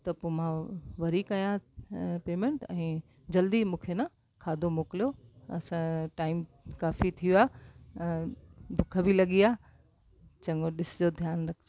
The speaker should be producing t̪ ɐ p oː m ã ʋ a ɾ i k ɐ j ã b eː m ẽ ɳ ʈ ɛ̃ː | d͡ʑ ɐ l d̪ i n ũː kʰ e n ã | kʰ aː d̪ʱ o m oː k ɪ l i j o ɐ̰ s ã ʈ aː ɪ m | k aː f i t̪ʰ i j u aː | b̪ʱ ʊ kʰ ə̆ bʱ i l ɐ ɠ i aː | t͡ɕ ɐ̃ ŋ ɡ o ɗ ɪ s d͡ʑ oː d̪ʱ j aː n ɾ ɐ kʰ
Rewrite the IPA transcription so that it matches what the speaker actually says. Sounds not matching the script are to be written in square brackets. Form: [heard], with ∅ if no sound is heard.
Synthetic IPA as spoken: t̪ ɐ p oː m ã ʋ [ɐ] ɾ i k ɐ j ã [p] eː m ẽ ɳ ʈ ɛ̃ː | d͡ʑ ɐ l d̪ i [m] ũː kʰ e n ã | kʰ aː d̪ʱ o m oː k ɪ l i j o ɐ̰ s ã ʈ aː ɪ m | k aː f i t̪ʰ i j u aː | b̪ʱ ʊ kʰ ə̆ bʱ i l ɐ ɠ i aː | t͡ɕ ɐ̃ ŋ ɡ o ɗ ɪ s d͡ʑ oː d̪ʱ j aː n ɾ ɐ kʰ